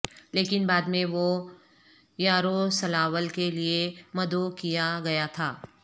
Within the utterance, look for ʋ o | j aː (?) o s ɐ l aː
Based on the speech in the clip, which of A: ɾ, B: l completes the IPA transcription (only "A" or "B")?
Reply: A